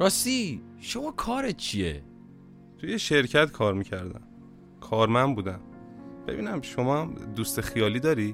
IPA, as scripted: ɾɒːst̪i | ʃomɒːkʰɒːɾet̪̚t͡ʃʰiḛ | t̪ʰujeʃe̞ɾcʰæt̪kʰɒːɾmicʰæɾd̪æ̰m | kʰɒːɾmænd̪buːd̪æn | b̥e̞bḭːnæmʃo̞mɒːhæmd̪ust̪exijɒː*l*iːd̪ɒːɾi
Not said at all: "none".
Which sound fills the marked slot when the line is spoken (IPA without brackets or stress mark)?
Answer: l